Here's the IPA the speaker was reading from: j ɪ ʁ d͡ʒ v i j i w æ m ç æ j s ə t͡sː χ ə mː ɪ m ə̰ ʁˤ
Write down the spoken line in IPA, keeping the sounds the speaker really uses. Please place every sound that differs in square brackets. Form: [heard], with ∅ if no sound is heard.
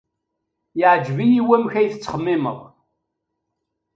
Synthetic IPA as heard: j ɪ [ʕ] d͡ʒ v i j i w æ m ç æ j [θ] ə t͡sː χ ə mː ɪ m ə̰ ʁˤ